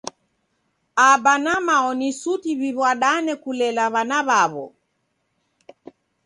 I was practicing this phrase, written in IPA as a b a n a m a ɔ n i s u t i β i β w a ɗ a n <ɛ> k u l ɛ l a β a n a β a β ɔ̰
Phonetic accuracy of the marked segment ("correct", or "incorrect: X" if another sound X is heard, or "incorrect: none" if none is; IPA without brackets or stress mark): correct